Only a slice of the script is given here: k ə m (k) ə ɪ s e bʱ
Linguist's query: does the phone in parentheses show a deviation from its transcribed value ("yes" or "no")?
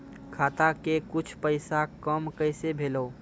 no